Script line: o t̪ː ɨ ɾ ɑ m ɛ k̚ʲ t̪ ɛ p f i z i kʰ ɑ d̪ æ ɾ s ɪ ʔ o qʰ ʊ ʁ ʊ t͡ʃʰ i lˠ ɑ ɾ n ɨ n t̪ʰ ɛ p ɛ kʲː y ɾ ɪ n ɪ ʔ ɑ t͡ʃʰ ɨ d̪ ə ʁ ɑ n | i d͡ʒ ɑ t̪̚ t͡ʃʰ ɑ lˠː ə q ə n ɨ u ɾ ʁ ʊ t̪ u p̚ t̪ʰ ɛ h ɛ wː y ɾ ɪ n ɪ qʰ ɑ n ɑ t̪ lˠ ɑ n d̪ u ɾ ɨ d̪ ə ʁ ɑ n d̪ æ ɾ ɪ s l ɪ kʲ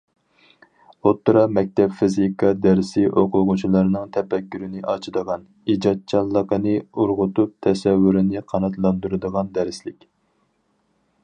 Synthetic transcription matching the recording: o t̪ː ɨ ɾ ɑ m ɛ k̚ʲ t̪ ɛ p f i z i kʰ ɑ d̪ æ ɾ s ɪ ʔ o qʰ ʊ ʁ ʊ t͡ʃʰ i lˠ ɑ ɾ n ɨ ŋ t̪ʰ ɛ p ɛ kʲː y ɾ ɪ n ɪ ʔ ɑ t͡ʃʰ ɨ d̪ ə ʁ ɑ n | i d͡ʒ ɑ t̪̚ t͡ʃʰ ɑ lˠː ə q ə n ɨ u ɾ ʁ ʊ t̪ u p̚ t̪ʰ ɛ s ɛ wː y ɾ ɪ n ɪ qʰ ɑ n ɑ t̪ lˠ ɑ n d̪ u ɾ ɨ d̪ ə ʁ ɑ n d̪ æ ɾ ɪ s l ɪ kʲ

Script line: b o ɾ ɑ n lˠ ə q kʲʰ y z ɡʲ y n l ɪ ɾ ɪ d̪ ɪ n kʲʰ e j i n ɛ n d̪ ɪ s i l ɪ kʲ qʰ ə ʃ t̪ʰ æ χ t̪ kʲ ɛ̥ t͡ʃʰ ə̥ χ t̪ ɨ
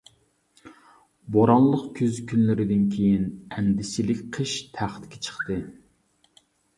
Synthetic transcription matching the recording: b o ɾ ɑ n lˠ ə q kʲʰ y z kʲ y n l ɪ ɾ ɪ d̪ ɪ n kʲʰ e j i n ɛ n d̪ ɪ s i l ɪ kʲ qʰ ə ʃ t̪ʰ æ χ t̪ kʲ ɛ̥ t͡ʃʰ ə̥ χ t̪ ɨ

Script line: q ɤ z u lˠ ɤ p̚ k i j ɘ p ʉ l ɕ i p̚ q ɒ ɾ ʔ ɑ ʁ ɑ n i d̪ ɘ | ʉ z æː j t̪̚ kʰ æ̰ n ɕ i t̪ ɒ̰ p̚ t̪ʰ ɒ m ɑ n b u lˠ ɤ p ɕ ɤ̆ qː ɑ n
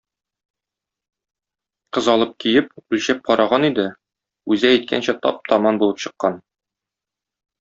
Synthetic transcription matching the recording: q ɤ z ɒ lˠ ɤ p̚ k i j ɘ p ʉ l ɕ æ p̚ q ɒ ɾ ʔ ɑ ʁ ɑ n i d̪ ɘ | ʉ z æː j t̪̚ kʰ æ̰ n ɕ æ t̪ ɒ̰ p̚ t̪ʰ ɒ m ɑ n b u lˠ ɤ p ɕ ɤ̆ qː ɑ n

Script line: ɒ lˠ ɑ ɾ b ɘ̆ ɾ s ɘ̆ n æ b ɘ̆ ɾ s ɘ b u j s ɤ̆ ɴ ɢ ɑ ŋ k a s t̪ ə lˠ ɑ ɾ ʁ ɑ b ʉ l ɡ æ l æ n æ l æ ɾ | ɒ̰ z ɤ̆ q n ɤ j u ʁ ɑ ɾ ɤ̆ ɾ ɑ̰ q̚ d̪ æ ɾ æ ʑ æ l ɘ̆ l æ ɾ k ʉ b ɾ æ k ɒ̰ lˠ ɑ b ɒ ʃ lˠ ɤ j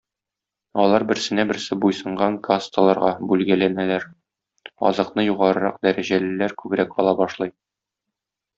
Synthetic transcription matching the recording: ɒ lˠ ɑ ɾ b ɘ̆ ɾ s ɘ̆ n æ b ɘ̆ ɾ s ɘ b u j s ɤ̆ ɴ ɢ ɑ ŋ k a s t̪ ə lˠ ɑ ɾ ʁ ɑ b ʉ l ɡ æ l æ n æ l æ ɾ | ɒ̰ z ɤ̆ q n ɤ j u ʁ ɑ ɾ ɤ̆ ɾ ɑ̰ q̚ d̪ æ ɾ æ ʑ æ l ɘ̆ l æ ɾ k ʉ b ɾ æ k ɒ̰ lˠ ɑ b ɒ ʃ lˠ ɤ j

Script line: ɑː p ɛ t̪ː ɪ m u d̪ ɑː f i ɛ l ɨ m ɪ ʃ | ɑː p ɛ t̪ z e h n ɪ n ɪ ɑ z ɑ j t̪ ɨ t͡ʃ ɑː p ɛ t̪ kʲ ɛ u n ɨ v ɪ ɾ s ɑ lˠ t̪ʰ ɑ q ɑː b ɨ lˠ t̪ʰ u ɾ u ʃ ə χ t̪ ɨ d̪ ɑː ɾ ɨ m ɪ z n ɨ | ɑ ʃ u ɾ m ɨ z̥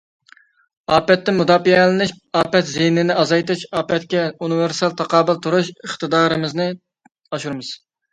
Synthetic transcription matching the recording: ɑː p ɛ t̪ː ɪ m u d̪ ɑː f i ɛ l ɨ n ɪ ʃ | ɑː p ɛ t̪ z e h n ɪ n ɪ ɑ z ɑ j t̪ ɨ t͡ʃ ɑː p ɛ t̪ kʲ ɛ u n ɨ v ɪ ɾ s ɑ lˠ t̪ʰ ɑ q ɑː b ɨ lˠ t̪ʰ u ɾ u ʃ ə χ t̪ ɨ d̪ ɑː ɾ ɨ m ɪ z n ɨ | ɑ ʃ u ɾ m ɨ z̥

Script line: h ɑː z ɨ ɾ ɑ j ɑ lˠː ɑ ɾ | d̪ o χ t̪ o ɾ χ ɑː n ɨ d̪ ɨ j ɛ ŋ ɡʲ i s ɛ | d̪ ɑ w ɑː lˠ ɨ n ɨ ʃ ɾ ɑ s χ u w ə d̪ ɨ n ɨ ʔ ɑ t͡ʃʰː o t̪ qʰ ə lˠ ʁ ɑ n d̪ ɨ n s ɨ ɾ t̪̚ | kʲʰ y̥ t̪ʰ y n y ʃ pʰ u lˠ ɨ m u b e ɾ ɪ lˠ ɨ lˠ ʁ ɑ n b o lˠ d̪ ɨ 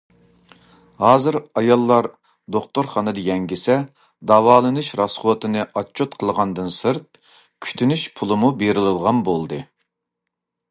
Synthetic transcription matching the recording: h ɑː z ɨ ɾ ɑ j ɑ lˠː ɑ ɾ | d̪ o χ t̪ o ɾ χ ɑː n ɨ d̪ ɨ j ɛ ŋ ɡʲ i s ɛ | d̪ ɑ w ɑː lˠ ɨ n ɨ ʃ ɾ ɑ s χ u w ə t̪ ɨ n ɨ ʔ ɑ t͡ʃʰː o t̪ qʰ ə lˠ ʁ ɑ n d̪ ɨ n s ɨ ɾ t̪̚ | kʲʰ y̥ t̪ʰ y n y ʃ pʰ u lˠ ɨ m u b e ɾ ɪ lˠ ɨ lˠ ʁ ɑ n b o lˠ d̪ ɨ

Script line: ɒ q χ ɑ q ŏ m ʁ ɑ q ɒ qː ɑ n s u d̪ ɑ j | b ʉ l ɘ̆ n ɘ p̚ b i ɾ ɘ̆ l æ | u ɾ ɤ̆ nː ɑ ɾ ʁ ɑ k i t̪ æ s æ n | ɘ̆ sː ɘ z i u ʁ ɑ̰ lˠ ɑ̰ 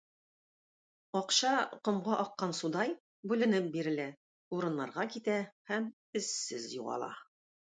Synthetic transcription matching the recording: ɒ q ɕ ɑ q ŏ m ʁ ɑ ʔ ɒ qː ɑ n s u d̪ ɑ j | b ʉ l ɘ̆ n ɘ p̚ b i ɾ ɘ̆ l æ | u ɾ ɤ̆ nː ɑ ɾ ʁ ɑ k i t̪ æ h æ m | ɘ̆ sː ɘ z j u ʁ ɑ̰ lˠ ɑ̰

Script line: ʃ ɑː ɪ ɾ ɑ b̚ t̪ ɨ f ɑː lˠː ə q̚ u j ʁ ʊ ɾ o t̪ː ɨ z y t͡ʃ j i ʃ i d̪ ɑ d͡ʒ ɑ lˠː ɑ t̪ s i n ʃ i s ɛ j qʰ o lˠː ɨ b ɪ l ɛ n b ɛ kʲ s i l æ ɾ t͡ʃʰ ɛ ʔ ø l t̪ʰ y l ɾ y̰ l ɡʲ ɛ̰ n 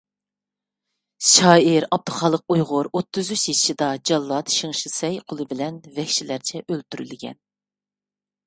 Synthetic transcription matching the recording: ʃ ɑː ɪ ɾ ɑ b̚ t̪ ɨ χ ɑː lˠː ə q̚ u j ʁ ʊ ɾ o t̪ː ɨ z y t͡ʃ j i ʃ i d̪ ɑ d͡ʒ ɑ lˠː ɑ t̪ ʃ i ŋ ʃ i s ɛ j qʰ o lˠ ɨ b ɪ l ɛ n v ɛ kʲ ʃ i l æ ɾ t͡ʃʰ ɛ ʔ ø l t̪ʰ y ɾ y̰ l ɡʲ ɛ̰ n

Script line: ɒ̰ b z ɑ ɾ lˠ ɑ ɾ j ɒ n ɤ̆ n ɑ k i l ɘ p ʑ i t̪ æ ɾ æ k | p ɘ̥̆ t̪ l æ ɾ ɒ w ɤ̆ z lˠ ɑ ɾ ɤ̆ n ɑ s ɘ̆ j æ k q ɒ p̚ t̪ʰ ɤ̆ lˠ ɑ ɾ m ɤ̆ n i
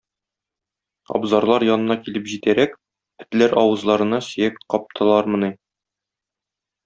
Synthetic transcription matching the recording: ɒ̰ b z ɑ ɾ lˠ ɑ ɾ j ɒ n ɤ̆ n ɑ k i l ɘ p ʑ i t̪ æ ɾ æ k | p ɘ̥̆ t̪ l æ ɾ ɒ w ɤ̆ z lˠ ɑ ɾ ɤ̆ n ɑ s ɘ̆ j æ k q ɒ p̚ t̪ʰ ɤ̆ lˠ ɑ ɾ m ɤ̆ n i

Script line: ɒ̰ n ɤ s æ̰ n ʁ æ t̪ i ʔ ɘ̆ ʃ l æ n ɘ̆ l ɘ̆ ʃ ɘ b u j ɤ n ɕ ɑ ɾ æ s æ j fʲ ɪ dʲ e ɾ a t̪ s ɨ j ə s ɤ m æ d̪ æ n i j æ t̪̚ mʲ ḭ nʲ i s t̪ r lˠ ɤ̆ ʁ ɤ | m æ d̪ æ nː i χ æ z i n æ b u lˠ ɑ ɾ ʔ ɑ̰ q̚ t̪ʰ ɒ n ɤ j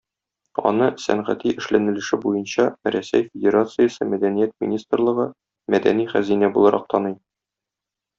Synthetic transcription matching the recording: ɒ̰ n ɤ s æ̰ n ʁ æ t̪ i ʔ ɘ̆ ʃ l æ n ɘ̆ l ɘ̆ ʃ ɘ b u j ɤ n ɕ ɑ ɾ æ s æ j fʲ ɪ dʲ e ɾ a t̪ s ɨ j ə s ɤ m æ d̪ æ n i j æ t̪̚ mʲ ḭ nʲ i s t̪ r lˠ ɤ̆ ʁ ɤ | m æ d̪ æ n i χ æ z i n æ b u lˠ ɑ ɾ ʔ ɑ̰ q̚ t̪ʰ ɒ n ɤ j

